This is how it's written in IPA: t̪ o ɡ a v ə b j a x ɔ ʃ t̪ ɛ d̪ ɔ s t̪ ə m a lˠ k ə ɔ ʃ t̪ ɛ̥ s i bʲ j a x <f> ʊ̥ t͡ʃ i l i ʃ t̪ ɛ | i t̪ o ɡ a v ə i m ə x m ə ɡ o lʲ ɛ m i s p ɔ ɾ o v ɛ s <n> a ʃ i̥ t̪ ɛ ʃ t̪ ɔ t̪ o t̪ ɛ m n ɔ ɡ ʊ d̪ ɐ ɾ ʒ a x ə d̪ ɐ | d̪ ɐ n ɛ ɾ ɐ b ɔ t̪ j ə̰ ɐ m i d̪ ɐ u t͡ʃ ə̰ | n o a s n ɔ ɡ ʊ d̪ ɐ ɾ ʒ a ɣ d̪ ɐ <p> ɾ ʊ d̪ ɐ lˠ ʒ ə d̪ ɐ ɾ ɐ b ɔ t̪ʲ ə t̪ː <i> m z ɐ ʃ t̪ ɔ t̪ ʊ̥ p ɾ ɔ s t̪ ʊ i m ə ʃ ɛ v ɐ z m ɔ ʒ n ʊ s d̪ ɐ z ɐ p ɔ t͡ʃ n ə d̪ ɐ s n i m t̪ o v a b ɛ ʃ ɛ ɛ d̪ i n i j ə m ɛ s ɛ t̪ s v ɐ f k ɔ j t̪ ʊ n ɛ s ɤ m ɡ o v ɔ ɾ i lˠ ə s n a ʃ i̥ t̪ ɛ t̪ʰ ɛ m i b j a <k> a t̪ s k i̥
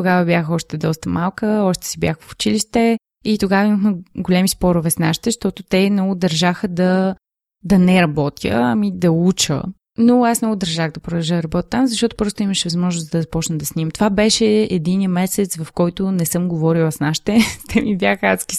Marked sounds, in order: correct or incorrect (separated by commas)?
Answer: correct, correct, correct, incorrect, incorrect